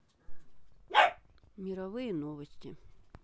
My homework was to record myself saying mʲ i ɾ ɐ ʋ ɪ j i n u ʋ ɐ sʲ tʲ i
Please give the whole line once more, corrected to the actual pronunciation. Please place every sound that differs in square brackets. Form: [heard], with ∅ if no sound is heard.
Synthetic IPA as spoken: mʲ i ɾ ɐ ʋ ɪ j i n [ɔ] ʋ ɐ sʲ tʲ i